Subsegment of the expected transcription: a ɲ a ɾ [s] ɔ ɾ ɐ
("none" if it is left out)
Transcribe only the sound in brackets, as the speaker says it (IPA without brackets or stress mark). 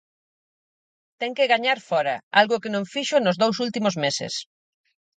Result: f